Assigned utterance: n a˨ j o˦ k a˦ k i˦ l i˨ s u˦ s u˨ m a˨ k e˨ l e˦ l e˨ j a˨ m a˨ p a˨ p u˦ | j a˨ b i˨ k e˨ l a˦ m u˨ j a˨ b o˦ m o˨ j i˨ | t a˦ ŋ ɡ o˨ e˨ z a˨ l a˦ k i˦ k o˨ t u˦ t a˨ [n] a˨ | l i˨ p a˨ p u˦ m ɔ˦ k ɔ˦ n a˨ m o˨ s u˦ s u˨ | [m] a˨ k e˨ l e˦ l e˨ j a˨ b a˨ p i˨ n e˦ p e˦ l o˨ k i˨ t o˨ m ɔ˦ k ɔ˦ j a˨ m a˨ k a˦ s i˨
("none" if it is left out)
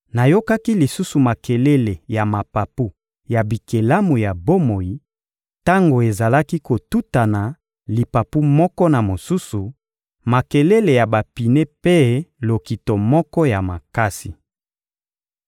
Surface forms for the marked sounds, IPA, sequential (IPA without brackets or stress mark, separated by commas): n, m